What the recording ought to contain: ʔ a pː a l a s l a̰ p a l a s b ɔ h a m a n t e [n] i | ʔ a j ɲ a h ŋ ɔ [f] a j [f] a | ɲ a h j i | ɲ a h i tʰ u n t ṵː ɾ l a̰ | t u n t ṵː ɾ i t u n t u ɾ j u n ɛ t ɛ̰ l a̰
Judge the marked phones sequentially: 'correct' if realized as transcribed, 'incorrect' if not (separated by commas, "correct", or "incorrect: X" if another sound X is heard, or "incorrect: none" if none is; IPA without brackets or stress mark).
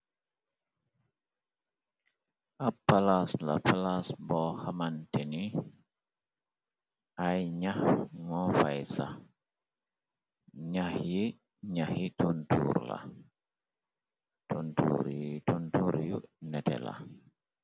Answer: correct, correct, incorrect: s